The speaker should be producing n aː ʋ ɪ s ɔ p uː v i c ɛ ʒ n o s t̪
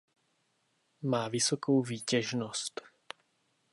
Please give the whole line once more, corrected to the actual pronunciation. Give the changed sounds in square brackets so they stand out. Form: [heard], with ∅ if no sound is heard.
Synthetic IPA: [m] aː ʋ [i] s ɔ [k] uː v [iː] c ɛ ʒ n [ɔ] s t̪